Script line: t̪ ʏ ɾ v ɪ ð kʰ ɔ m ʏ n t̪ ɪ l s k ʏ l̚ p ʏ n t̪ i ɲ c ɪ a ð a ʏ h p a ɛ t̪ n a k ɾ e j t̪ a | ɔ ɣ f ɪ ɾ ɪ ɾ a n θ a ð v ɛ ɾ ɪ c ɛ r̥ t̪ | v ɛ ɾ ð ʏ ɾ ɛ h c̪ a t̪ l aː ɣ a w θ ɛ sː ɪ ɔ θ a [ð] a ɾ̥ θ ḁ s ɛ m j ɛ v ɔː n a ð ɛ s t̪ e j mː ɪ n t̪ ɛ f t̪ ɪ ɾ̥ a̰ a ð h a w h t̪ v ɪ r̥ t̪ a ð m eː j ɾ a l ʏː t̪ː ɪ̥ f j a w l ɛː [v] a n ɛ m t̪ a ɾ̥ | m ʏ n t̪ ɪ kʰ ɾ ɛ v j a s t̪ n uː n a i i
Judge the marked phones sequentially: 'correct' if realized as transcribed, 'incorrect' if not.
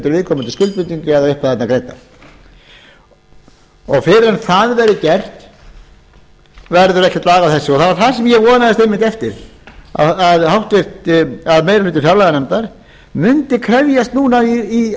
incorrect, incorrect

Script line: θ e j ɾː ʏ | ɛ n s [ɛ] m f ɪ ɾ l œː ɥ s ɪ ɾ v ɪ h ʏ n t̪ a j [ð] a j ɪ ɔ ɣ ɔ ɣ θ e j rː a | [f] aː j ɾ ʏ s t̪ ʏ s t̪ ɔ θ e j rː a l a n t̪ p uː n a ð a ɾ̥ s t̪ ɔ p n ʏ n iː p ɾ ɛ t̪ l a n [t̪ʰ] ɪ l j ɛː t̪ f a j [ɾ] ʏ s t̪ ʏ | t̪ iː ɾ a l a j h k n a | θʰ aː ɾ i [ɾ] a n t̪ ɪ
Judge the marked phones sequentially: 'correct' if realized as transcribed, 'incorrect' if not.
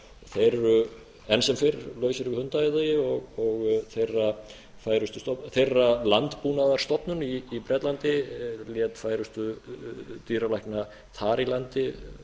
correct, correct, correct, incorrect, correct, incorrect

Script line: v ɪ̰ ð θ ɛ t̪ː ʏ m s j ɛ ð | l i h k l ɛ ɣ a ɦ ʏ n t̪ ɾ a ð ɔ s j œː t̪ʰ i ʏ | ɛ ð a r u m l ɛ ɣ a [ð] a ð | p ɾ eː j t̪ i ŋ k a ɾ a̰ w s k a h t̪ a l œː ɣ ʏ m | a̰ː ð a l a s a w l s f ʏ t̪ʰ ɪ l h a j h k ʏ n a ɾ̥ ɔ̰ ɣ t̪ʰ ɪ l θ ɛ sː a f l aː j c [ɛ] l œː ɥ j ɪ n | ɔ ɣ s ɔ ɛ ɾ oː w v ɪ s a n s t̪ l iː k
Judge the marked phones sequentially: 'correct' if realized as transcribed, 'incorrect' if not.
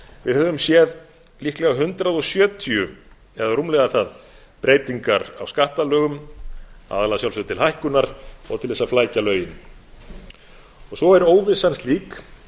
incorrect, incorrect

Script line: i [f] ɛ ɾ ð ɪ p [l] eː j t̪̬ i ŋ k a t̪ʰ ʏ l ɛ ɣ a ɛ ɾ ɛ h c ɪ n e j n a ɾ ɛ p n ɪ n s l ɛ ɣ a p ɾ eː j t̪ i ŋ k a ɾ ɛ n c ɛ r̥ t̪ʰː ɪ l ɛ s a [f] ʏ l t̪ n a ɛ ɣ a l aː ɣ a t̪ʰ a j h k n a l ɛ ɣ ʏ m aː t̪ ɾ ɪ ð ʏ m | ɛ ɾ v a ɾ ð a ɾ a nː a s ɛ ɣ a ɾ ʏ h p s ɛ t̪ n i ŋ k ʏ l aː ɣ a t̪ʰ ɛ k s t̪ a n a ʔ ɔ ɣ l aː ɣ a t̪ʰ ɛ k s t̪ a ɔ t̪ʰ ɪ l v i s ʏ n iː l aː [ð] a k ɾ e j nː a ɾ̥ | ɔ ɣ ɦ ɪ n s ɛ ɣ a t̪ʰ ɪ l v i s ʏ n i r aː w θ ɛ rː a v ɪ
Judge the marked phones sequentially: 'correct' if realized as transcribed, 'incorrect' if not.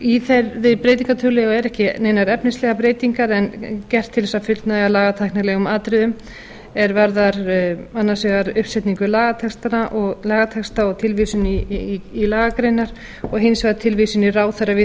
incorrect, incorrect, correct, incorrect

